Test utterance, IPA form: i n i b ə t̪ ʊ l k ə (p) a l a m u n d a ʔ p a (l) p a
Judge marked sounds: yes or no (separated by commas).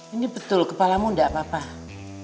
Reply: yes, no